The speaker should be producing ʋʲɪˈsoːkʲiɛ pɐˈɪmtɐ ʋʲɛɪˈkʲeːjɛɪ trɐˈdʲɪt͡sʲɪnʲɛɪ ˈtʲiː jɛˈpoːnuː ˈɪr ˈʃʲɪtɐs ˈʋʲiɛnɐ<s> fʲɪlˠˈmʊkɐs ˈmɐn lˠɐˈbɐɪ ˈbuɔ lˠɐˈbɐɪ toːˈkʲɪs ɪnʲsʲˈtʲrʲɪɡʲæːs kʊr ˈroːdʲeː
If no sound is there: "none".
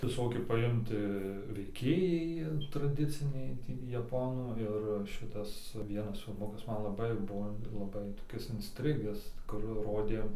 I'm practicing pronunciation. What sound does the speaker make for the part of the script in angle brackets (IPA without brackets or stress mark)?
s